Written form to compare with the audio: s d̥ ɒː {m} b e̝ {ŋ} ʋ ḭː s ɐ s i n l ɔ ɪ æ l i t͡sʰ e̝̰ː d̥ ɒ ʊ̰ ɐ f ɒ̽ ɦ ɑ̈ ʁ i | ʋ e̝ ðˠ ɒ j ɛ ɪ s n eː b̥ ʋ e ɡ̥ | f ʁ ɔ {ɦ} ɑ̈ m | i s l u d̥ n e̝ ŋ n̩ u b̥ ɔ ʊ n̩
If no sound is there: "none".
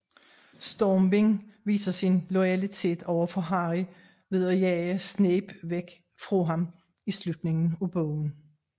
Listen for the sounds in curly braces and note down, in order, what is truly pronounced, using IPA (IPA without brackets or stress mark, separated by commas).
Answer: m, ŋ, ɦ